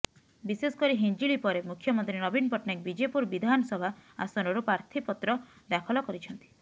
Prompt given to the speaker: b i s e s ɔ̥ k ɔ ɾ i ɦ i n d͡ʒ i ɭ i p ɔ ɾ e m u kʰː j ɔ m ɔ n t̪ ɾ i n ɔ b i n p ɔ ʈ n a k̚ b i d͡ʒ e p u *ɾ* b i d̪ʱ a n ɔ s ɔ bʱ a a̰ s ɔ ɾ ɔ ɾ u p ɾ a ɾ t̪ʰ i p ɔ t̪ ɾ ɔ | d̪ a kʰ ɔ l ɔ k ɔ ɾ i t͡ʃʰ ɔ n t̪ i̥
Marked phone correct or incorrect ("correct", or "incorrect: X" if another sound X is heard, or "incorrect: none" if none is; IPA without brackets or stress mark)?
correct